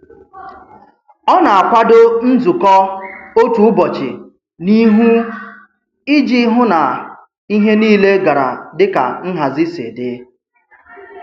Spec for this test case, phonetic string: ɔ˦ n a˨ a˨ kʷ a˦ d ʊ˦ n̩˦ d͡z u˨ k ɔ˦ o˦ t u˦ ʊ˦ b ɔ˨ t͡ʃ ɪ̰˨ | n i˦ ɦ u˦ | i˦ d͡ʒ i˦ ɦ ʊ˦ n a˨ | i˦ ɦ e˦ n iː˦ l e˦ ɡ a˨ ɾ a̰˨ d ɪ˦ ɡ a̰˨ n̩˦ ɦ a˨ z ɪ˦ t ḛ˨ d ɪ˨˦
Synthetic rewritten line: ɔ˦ n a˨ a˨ kʷ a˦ d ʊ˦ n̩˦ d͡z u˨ k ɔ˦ o˦ t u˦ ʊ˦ b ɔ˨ t͡ʃ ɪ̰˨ | n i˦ ɦ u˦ | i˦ d͡ʒ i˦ ɦ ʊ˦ n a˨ | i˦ ɦ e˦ n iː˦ l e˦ ɡ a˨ ɾ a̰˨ d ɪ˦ k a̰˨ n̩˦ ɦ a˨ z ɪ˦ s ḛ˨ d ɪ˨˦